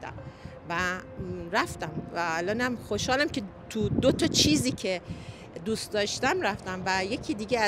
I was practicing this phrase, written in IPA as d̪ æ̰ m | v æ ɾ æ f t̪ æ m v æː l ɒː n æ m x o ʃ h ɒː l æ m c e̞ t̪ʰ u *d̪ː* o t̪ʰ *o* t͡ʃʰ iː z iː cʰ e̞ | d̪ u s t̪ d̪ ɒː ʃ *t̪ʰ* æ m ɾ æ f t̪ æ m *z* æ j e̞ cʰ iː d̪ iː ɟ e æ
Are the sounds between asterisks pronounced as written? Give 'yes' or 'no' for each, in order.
no, no, no, no

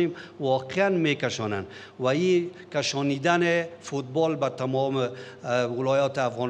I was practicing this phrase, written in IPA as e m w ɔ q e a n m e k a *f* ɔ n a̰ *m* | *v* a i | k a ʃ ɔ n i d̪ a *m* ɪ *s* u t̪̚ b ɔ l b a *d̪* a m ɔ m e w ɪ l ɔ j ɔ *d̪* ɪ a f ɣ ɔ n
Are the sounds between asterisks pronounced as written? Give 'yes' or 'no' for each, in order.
no, no, no, no, no, no, no

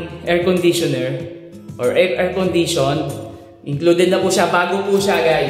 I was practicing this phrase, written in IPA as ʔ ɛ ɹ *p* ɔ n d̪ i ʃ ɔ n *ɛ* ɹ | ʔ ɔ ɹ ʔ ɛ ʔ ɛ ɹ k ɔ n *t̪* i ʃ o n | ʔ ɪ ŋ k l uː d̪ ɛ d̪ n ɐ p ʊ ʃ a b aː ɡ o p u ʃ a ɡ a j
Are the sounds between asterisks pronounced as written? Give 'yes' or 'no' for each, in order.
no, yes, no

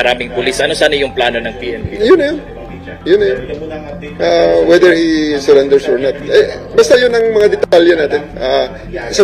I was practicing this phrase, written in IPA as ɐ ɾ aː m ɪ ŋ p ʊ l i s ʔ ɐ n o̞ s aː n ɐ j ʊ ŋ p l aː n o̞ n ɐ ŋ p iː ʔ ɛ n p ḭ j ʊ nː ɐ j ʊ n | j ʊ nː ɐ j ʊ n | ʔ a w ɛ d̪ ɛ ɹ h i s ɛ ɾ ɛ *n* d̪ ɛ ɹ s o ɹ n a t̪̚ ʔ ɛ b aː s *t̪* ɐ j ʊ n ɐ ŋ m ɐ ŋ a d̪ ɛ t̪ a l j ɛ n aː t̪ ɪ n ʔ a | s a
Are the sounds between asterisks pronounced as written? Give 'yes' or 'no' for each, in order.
yes, yes

